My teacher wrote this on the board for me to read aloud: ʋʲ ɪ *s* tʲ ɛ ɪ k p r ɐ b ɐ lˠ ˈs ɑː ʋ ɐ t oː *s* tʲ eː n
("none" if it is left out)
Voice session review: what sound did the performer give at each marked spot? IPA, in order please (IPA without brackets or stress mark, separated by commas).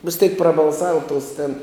s, s